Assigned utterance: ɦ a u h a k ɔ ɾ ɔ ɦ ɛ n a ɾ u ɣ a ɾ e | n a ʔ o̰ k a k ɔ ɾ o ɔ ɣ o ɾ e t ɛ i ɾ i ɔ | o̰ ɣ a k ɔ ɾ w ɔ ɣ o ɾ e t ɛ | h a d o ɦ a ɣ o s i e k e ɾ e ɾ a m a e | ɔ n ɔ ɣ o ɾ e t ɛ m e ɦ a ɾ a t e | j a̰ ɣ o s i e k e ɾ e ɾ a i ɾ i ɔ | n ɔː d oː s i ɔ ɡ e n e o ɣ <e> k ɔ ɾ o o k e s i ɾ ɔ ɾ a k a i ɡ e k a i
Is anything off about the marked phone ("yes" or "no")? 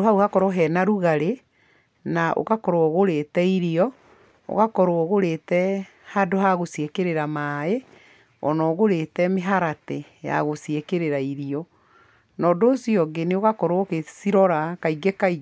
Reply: yes